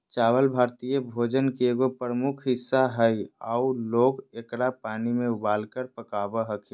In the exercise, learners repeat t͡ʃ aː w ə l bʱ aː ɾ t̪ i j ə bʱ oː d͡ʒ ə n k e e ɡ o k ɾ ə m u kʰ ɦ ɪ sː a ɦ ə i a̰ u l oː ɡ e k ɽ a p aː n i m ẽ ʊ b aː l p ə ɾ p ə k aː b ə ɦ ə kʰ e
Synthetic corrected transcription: t͡ʃ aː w ə l bʱ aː ɾ t̪ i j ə bʱ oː d͡ʒ ə n k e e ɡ o p ɾ ə m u kʰ ɦ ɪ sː a ɦ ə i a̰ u l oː ɡ e k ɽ a p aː n i m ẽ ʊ b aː l k ə ɾ p ə k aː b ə ɦ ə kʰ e